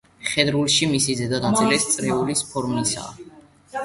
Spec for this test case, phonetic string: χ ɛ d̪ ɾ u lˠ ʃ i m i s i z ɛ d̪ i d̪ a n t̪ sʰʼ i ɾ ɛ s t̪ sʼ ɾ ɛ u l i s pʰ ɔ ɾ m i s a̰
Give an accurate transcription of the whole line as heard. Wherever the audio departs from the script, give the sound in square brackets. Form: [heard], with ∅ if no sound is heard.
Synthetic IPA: χ ɛ d̪ ɾ u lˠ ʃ i m i s i z ɛ d̪ [a] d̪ a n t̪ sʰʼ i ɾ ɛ s t̪ sʼ ɾ ɛ u l i s pʰ ɔ ɾ m i s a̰